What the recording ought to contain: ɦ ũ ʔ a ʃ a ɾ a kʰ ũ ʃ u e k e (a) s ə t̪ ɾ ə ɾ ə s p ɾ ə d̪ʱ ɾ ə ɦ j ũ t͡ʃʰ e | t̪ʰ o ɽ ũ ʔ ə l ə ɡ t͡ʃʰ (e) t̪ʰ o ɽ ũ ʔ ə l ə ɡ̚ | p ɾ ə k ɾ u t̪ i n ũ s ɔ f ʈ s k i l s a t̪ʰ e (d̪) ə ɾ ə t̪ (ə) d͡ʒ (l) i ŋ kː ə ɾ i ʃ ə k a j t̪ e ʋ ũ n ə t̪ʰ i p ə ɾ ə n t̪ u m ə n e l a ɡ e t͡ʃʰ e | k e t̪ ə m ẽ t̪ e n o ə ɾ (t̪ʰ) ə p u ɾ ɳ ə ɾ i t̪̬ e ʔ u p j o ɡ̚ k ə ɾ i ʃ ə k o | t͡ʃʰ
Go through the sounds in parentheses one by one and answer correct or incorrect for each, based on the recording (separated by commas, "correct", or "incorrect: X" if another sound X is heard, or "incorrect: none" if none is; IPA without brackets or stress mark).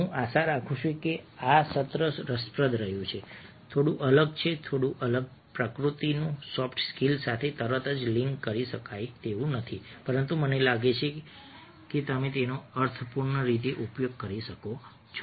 correct, correct, incorrect: t̪, correct, correct, correct